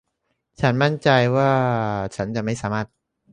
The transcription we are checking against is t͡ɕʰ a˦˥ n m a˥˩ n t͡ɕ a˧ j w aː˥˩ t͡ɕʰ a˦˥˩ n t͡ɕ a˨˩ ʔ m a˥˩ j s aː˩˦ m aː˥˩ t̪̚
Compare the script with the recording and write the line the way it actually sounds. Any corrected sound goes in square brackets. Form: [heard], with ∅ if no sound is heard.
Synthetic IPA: t͡ɕʰ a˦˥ n m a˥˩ n t͡ɕ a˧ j w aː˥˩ t͡ɕʰ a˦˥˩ n t͡ɕ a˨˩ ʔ m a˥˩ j s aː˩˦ m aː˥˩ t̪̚